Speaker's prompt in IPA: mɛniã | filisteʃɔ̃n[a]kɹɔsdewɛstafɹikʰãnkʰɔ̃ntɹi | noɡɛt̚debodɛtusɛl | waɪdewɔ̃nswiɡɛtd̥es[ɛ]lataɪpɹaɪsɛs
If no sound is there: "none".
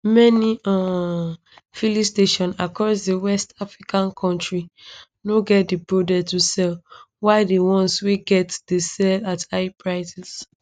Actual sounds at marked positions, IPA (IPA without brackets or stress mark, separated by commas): a, ɛ